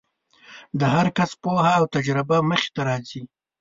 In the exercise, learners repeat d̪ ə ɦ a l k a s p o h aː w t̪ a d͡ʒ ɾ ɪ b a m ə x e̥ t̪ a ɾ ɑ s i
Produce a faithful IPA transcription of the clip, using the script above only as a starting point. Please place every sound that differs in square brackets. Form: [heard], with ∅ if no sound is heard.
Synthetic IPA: d̪ ə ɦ a [ɾ] k a s p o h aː w t̪ a d͡ʒ ɾ ɪ b a m ə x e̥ t̪ a ɾ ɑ [z] i